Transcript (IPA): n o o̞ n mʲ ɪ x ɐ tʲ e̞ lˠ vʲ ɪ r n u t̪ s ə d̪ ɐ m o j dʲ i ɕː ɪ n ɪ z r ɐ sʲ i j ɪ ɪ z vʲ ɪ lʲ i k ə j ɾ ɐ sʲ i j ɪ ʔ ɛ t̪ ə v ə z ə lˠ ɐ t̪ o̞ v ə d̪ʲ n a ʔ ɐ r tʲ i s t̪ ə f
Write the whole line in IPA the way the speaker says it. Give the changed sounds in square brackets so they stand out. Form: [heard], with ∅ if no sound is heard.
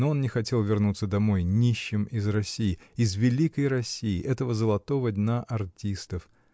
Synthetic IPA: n o o̞ n [nʲ] ɪ x ɐ tʲ e̞ lˠ vʲ ɪ r n u t̪ s ə d̪ ɐ m o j [nʲ] i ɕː ɪ [m] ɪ z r ɐ sʲ i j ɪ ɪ z vʲ ɪ lʲ i k ə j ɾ ɐ sʲ i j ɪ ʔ ɛ t̪ ə v ə z ə lˠ ɐ t̪ o̞ v ə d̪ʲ n a ʔ ɐ r tʲ i s t̪ ə f